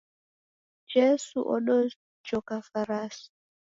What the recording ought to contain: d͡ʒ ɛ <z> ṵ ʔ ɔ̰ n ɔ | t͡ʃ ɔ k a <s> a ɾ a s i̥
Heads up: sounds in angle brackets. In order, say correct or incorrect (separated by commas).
incorrect, incorrect